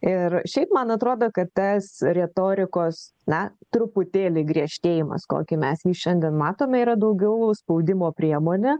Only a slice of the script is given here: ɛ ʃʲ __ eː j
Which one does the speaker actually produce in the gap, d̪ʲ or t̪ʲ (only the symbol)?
t̪ʲ